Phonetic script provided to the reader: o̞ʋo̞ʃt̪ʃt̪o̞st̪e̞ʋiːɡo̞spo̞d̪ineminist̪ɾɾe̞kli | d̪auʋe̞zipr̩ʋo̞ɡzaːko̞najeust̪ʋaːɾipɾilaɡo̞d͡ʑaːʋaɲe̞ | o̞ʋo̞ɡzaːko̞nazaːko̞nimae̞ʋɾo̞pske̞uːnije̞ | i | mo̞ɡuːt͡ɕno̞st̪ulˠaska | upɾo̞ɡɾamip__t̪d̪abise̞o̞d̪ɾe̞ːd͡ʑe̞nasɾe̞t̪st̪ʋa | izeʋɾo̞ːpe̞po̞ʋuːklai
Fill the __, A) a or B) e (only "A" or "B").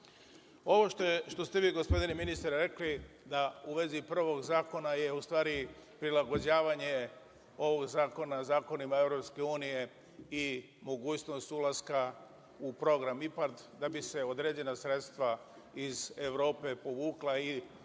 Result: A